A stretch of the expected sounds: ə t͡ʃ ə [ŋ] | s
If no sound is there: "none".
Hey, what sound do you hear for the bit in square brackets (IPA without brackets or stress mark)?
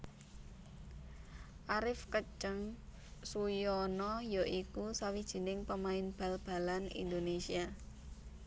ŋ